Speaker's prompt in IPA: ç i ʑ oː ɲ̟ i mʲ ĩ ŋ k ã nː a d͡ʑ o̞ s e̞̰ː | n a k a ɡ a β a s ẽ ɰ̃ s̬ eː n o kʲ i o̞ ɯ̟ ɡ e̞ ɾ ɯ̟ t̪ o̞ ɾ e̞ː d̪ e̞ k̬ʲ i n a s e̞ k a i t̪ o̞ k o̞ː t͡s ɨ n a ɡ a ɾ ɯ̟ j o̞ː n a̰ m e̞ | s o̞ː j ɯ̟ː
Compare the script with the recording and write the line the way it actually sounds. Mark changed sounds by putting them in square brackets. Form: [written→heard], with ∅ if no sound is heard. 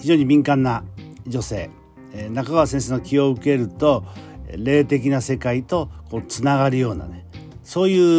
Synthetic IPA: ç i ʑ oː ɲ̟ i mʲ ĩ ŋ k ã nː a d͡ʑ o̞ s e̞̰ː | n a k a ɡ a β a s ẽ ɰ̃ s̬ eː n o kʲ i o̞ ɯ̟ [ɡ→k] e̞ ɾ ɯ̟ t̪ o̞ ɾ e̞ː [d̪→t̪] e̞ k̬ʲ i n a s e̞ k a i t̪ o̞ k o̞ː t͡s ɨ n a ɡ a ɾ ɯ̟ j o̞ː n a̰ [m→n] e̞ | s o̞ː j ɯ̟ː